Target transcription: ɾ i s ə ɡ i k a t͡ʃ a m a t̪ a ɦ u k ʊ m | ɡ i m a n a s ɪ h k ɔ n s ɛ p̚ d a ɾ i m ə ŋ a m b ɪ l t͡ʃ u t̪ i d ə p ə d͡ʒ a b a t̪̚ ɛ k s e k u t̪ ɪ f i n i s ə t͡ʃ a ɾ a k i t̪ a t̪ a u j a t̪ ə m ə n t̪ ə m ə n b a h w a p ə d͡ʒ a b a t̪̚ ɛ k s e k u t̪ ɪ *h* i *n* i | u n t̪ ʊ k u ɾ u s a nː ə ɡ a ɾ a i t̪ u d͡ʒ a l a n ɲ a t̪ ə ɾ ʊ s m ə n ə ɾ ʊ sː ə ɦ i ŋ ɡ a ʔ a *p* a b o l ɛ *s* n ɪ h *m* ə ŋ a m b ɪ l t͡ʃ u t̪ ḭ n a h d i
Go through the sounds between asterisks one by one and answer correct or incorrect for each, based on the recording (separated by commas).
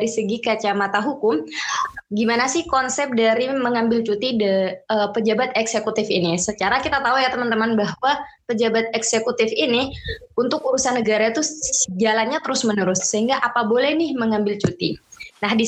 incorrect, correct, correct, incorrect, correct